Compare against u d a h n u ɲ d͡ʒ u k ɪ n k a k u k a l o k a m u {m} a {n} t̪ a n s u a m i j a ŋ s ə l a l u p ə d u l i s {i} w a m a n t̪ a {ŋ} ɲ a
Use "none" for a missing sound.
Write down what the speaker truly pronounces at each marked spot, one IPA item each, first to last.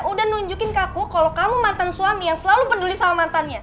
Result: m, n, a, n

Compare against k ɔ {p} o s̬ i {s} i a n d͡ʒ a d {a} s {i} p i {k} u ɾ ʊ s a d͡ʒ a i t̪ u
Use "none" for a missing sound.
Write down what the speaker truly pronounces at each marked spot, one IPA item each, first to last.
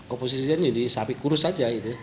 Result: p, s, i, a, k

